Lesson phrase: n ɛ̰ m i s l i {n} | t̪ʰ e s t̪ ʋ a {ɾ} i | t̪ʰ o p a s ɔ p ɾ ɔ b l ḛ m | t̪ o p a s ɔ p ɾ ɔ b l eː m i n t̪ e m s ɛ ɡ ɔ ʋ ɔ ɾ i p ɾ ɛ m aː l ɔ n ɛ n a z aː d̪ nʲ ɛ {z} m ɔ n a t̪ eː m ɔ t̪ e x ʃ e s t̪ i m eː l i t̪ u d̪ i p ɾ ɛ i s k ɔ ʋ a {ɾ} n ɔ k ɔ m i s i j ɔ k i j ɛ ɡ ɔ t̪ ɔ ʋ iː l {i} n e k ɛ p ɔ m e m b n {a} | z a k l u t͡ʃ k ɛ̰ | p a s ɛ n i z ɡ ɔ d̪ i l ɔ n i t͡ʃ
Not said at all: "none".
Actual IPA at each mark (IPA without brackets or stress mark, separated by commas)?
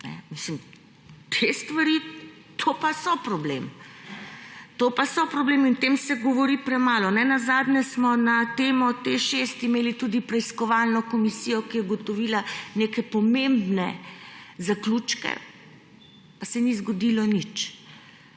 m, ɾ, s, l, a, ɛ